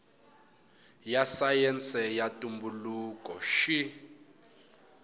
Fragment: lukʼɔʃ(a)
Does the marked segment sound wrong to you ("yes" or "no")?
yes